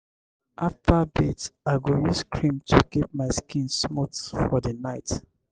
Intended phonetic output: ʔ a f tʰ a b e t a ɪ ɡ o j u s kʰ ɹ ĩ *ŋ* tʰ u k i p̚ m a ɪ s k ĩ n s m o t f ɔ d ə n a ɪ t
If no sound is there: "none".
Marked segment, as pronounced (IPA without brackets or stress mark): m